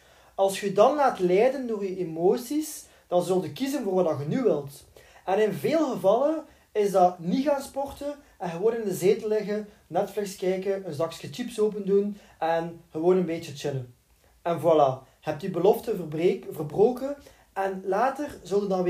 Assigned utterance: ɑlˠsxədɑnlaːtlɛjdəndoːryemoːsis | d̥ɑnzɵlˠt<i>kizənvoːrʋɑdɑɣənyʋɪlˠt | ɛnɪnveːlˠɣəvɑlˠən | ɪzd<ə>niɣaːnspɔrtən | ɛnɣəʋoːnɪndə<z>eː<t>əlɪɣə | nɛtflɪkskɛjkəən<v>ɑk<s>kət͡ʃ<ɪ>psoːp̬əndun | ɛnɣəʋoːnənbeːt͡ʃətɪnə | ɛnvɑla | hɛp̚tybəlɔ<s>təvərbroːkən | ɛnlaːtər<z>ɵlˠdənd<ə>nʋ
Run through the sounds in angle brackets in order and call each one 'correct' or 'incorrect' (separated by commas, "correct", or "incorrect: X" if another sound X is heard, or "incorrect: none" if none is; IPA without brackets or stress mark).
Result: incorrect: y, incorrect: ɑ, correct, correct, incorrect: z, correct, incorrect: i, incorrect: f, correct, incorrect: ɑ